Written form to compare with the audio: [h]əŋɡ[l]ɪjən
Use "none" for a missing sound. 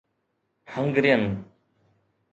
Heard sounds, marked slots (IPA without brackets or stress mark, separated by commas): h, ɾ